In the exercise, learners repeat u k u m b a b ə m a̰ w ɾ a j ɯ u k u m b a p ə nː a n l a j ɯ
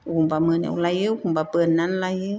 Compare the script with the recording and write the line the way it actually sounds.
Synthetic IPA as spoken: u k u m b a m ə n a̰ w l a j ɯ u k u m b a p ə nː a n l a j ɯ

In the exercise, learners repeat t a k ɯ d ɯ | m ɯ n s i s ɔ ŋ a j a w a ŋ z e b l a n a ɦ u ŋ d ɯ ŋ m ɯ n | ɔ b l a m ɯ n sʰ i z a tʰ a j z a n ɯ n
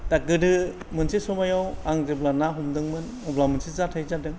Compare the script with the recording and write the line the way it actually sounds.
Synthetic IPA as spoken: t a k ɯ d ɯ | m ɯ n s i s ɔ m a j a w a ŋ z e b l a n a ɦ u m d ɯ ŋ m ɯ n | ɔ b l a m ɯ n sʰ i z a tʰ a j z a d ɯ ŋ

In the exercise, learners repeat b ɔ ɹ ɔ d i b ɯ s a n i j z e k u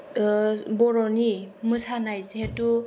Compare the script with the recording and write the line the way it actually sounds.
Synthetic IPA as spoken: b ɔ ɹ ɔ n i m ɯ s a n a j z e t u

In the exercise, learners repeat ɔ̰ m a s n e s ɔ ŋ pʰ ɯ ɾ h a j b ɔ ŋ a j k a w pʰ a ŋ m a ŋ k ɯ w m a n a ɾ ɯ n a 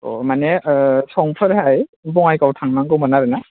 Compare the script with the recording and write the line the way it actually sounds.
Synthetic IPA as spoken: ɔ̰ m a n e s ɔ ŋ pʰ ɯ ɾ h a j b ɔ ŋ a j k a w tʰ a ŋ n a ŋ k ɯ w m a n a ɾ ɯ n a

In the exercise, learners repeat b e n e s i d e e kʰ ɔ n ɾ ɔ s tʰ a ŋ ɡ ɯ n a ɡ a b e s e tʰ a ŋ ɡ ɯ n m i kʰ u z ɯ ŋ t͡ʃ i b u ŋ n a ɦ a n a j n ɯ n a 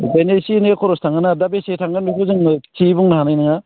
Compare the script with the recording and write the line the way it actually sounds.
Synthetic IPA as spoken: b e n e s i n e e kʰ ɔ ɾ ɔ s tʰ a ŋ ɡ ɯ n a d a b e s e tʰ a ŋ ɡ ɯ n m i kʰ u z ɯ ŋ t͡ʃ i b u ŋ n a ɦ a n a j n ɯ ŋ a

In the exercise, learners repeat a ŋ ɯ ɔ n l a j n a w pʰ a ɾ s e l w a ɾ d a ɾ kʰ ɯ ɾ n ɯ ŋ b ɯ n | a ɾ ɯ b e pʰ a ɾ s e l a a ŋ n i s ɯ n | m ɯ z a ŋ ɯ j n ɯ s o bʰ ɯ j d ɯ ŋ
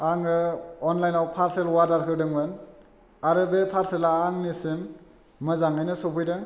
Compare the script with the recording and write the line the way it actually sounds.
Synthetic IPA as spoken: a ŋ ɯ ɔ n l a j n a w pʰ a ɾ s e l w a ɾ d a ɾ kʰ ɯ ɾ d ɯ ŋ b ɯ n | a ɾ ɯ b e pʰ a ɾ s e l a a ŋ n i s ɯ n | m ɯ z a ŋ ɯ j n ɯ s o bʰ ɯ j d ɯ ŋ

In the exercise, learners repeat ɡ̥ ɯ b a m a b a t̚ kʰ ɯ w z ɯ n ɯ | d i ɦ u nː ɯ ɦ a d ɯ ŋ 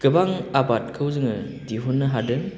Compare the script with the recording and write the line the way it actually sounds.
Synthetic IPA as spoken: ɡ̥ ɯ b a ŋ a b a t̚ kʰ ɯ w z ɯ ŋ ɯ | d i ɦ u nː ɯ ɦ a d ɯ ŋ

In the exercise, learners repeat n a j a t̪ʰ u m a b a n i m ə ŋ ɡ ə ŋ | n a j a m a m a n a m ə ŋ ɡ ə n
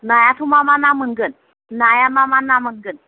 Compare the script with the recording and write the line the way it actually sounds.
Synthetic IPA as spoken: n a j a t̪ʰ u m a m a n a m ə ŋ ɡ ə n | n a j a m a m a n a m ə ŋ ɡ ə n

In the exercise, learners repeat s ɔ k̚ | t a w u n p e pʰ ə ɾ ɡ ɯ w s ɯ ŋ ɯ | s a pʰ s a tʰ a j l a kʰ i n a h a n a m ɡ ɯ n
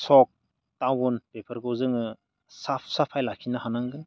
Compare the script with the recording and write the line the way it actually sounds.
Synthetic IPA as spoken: s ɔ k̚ | t a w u n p e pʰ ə ɾ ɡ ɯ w z ɯ ŋ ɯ | s a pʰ s a pʰ a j l a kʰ i n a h a n a ŋ ɡ ɯ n

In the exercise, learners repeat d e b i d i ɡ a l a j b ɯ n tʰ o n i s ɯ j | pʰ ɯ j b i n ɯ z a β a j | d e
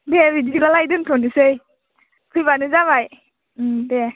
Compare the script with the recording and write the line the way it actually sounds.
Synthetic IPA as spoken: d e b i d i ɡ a l a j d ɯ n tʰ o n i s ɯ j | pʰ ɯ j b a n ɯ z a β a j | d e

